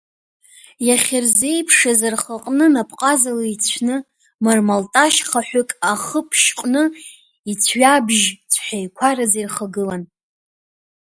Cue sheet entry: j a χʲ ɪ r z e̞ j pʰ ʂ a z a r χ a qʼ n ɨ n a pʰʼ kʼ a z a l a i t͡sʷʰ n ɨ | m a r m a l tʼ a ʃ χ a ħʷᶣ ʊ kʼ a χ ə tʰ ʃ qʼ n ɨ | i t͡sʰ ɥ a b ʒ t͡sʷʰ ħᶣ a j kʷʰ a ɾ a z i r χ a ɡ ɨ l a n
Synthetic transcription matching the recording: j a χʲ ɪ r z e̞ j pʰ ʂ a z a r χ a qʼ n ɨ n a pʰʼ qʼ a z a l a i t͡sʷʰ n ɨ | m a r m a l tʼ a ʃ χ a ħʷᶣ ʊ kʼ a χ ə pʰ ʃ qʼ n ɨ | i t͡sʰ ɥ a b ʒ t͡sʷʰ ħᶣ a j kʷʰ a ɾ a z i r χ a ɡ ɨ l a n